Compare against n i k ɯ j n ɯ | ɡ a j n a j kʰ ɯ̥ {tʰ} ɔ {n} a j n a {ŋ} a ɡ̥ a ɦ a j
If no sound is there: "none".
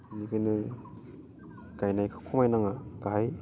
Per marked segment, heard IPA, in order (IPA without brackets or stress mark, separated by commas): kʰ, m, ŋ